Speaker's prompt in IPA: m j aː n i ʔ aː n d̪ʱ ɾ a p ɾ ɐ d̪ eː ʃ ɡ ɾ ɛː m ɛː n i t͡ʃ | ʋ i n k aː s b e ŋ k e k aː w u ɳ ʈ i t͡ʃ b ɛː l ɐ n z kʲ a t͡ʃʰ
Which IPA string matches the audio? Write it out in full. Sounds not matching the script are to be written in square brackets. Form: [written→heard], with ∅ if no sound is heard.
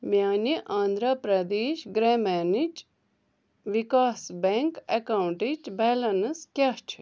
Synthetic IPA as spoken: m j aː n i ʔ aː n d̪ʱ ɾ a p ɾ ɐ d̪ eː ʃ ɡ ɾ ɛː m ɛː n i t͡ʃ | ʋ i [n→∅] k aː s b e ŋ k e k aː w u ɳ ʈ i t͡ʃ b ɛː l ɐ n [z→s] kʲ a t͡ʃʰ